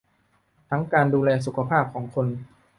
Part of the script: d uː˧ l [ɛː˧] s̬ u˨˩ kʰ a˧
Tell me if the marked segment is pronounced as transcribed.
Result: yes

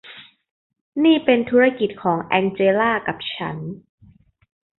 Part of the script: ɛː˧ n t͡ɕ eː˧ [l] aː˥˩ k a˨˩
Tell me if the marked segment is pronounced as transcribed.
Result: yes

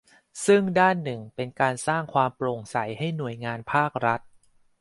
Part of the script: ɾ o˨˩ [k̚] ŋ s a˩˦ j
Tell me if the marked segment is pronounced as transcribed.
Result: no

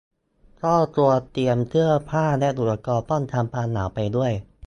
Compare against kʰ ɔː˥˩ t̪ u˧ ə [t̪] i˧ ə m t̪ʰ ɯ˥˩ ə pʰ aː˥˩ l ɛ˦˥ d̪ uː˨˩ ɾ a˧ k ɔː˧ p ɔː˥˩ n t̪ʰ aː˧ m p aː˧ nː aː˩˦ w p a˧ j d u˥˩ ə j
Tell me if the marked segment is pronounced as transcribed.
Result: yes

